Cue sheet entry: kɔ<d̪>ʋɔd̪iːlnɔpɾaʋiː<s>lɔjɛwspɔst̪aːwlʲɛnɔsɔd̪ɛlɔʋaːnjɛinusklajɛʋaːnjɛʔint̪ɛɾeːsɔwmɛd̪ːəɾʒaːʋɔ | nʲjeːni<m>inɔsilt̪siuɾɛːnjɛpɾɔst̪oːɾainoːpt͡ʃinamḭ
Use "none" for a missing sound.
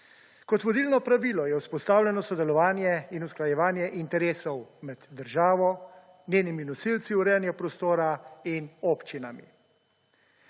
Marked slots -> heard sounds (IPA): t̪, none, m

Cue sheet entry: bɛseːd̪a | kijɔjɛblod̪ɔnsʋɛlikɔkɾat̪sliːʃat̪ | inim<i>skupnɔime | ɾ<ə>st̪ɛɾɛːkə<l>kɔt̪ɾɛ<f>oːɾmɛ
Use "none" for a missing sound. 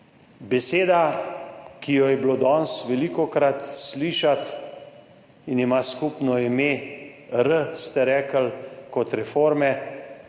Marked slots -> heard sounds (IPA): a, ə, l, f

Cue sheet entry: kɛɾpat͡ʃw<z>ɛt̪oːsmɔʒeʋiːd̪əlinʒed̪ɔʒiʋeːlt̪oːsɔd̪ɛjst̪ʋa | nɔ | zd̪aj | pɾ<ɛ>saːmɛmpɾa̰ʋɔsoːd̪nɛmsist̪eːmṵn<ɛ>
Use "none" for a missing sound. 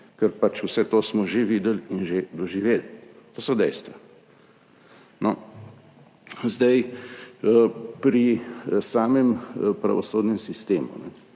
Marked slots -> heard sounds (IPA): s, i, ɛ

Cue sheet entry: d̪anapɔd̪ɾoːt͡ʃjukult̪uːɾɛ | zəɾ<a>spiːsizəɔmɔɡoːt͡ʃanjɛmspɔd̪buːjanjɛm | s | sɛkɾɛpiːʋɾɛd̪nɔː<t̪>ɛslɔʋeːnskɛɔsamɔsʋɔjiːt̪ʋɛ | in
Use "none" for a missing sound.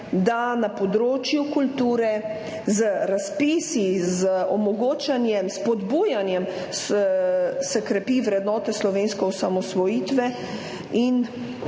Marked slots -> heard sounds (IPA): a, t̪

